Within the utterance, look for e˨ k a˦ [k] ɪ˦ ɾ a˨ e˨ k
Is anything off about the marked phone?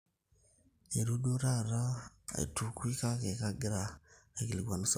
yes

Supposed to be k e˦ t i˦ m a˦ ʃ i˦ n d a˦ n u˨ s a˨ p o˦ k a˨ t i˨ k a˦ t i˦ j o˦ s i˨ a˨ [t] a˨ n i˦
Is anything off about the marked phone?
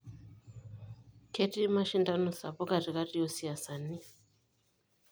yes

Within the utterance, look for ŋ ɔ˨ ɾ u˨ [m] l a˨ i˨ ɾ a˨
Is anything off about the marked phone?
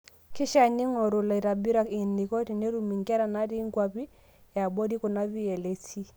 yes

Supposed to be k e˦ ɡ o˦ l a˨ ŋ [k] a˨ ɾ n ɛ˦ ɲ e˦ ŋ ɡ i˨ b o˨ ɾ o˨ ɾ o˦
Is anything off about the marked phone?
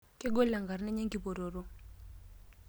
yes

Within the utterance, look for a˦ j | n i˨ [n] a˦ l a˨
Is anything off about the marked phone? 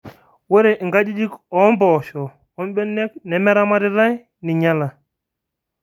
yes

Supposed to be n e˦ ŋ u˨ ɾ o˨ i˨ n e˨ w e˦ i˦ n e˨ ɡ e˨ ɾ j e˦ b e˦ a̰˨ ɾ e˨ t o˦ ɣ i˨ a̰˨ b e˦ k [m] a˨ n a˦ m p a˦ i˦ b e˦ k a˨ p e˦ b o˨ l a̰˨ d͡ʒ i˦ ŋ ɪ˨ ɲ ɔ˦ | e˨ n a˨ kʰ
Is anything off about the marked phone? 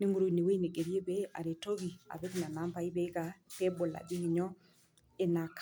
yes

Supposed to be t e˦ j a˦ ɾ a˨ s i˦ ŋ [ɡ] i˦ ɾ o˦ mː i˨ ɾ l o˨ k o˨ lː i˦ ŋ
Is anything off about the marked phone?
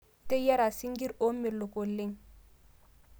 no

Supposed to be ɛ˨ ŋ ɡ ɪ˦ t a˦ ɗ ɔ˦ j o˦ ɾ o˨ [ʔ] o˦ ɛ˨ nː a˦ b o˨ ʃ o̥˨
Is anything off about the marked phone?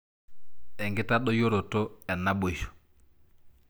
yes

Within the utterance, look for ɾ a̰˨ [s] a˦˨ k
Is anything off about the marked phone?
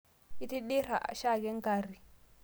yes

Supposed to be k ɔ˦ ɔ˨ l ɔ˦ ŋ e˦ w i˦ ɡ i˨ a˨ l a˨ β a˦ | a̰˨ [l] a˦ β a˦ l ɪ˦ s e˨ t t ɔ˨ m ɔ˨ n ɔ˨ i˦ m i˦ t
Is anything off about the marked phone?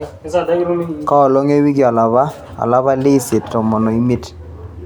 no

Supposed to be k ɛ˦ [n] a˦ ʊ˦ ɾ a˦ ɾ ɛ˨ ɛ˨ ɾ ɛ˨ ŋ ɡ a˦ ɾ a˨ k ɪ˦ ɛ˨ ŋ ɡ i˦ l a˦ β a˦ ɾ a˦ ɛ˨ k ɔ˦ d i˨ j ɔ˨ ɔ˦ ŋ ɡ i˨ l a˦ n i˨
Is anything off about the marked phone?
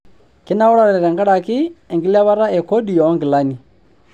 no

